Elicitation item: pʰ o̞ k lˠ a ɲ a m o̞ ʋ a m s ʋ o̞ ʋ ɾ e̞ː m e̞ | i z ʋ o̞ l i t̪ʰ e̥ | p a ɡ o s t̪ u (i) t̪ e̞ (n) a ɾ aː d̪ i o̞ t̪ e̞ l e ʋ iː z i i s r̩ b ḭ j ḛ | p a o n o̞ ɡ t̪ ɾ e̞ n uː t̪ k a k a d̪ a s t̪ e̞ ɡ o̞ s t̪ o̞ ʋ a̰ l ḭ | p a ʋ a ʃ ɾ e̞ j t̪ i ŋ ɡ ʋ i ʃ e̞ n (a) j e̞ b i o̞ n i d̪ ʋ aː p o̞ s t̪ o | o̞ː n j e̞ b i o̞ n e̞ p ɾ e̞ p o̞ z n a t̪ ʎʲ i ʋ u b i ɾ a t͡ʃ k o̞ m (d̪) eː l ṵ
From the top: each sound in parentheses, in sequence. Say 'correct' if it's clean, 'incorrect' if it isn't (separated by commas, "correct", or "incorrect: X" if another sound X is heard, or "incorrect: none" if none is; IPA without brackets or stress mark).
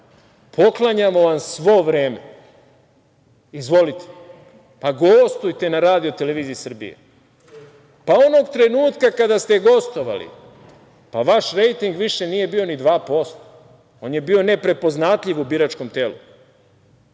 incorrect: j, correct, incorrect: i, incorrect: t̪